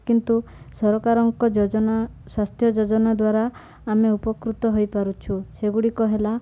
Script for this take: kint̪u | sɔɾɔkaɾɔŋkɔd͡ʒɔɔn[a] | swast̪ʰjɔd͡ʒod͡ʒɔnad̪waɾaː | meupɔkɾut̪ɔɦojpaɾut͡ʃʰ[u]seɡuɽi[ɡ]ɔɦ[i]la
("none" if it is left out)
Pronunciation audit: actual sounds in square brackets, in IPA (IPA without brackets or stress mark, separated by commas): a, u, k, e